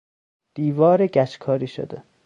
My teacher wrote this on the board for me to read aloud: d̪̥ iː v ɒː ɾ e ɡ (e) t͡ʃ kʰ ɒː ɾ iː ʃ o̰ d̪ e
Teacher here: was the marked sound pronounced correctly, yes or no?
no